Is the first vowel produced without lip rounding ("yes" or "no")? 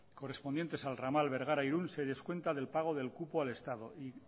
no